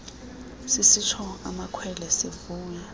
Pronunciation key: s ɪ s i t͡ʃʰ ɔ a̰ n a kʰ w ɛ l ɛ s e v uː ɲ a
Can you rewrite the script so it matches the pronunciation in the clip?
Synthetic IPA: s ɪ s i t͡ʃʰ ɔ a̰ m a kʰ w ɛ l ɛ s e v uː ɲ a